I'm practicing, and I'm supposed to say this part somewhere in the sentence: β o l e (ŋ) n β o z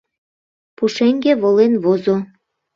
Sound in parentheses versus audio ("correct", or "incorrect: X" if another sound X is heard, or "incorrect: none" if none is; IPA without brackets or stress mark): incorrect: none